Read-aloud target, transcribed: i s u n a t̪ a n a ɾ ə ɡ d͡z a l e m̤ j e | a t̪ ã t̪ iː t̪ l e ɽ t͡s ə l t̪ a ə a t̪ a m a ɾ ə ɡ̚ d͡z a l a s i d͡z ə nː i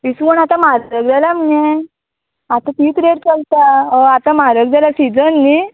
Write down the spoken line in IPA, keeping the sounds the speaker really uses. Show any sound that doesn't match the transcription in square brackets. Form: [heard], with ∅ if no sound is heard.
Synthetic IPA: i s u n a t̪ a [m] a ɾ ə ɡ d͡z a l [a] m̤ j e | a t̪ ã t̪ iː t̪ [ɾ] e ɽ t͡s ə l t̪ a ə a t̪ a m a ɾ ə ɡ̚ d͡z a l a s i d͡z ə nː i